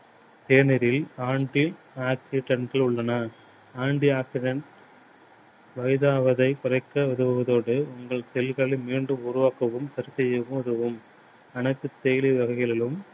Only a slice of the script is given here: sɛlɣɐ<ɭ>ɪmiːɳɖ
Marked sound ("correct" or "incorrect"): correct